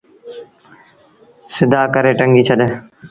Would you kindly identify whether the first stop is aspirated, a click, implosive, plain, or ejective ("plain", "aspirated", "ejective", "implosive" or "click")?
plain